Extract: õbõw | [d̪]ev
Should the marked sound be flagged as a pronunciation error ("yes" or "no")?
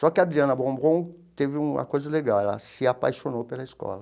yes